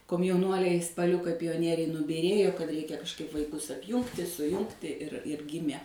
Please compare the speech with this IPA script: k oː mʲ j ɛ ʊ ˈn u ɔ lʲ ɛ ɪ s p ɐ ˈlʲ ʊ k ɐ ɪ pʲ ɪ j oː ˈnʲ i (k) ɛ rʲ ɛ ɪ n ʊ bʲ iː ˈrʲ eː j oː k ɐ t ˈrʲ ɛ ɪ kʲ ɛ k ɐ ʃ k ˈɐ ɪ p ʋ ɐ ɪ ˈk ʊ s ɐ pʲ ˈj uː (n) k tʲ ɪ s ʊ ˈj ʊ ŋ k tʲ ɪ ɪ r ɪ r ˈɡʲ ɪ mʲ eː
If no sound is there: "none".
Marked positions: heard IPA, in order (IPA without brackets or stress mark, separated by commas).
none, ŋ